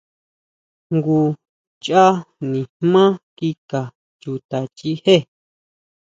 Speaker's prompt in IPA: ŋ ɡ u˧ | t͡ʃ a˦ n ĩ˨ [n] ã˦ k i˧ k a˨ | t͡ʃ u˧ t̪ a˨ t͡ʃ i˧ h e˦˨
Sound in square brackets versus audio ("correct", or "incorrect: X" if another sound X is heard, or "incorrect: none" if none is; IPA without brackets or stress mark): incorrect: m